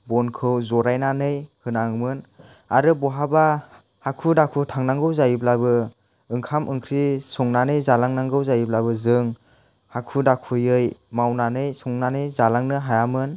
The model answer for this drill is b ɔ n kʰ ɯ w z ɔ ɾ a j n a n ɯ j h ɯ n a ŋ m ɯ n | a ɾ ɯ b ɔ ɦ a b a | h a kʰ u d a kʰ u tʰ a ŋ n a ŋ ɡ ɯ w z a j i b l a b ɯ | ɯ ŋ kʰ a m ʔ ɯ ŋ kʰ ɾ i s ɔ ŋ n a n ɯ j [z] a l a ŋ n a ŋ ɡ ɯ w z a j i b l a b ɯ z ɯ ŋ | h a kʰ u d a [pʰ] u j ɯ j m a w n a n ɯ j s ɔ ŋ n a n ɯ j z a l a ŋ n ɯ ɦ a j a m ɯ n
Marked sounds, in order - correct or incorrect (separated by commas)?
correct, incorrect